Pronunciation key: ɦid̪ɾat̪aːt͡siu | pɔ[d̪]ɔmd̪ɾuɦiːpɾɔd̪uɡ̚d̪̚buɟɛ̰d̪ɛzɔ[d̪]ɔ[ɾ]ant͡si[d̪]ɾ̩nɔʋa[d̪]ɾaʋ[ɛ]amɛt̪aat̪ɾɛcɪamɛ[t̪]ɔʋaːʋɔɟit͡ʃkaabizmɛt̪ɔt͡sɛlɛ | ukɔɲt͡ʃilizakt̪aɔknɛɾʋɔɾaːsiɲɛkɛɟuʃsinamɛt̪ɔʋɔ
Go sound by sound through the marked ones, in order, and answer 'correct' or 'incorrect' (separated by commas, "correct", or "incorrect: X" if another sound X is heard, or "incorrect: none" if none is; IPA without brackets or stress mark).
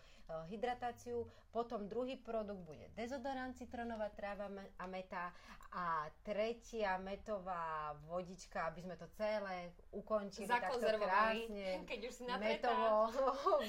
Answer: incorrect: t̪, correct, correct, incorrect: t̪, incorrect: t̪, incorrect: a, correct